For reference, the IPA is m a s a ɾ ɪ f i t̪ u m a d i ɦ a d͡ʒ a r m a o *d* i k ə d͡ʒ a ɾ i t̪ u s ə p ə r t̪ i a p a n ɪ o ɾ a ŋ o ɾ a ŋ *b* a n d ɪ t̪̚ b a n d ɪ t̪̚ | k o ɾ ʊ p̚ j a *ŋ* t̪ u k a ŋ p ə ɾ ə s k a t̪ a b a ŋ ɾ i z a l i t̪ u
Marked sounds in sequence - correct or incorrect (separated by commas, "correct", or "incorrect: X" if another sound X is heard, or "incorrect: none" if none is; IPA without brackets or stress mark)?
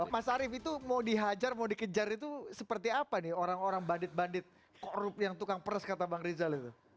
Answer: correct, correct, correct